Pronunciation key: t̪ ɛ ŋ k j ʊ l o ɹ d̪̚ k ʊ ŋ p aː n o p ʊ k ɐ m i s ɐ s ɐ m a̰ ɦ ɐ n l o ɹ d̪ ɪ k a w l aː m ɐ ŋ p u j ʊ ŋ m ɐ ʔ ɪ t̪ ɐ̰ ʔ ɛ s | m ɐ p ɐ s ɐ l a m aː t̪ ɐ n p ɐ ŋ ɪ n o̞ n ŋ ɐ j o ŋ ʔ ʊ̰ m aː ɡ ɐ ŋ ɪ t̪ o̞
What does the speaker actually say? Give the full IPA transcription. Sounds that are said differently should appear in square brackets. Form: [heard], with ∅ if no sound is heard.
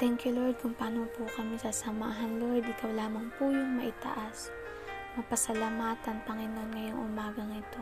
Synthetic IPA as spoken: t̪ ɛ ŋ k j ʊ l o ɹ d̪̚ k ʊ ŋ p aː n o p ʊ k ɐ m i s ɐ s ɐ m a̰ ɦ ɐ n l o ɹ d̪ ɪ k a w l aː m ɐ ŋ p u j ʊ ŋ m ɐ ʔ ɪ t̪ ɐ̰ ʔ [a] s | m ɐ p ɐ s ɐ l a m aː t̪ ɐ n p ɐ ŋ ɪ n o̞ n ŋ ɐ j o ŋ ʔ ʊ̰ m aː ɡ ɐ ŋ ɪ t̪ o̞